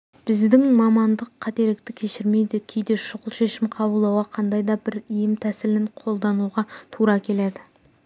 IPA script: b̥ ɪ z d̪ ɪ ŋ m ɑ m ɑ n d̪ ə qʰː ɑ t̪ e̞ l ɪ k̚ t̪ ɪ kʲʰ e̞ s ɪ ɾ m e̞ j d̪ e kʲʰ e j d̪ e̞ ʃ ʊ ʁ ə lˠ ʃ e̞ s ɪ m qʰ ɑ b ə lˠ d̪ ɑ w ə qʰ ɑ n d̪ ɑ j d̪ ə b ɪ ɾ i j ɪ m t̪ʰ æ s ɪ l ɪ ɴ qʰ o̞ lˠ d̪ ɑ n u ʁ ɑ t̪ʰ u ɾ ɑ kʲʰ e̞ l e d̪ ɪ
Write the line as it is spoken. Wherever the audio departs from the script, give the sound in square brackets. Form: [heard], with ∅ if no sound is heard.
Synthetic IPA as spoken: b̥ ɪ z d̪ ɪ ŋ m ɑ m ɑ n d̪ ə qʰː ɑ t̪ e̞ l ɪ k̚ t̪ ɪ kʲʰ e̞ [ʃ] ɪ ɾ m e̞ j d̪ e kʲʰ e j d̪ e̞ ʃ ʊ ʁ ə lˠ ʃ e̞ [ʃ] ɪ m qʰ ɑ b ə lˠ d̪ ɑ w [ɑ] qʰ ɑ n d̪ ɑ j d̪ [ɑ] b ɪ ɾ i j ɪ m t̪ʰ æ s ɪ l ɪ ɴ qʰ o̞ lˠ d̪ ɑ n u ʁ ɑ t̪ʰ u ɾ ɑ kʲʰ e̞ l e d̪ ɪ